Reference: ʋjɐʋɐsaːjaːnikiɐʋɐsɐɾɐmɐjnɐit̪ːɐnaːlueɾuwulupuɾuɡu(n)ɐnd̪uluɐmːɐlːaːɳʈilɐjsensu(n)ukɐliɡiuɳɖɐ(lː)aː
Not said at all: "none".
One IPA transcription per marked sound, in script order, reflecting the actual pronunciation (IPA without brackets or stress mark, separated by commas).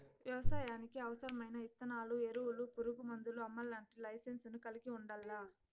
m, n, lː